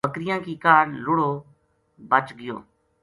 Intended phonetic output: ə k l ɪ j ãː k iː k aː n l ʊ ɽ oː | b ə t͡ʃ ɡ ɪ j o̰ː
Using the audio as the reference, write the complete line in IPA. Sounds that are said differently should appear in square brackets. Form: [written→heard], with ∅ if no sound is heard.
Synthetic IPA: ə k [l→ɾ] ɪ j ãː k iː k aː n l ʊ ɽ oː | b ə t͡ʃ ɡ ɪ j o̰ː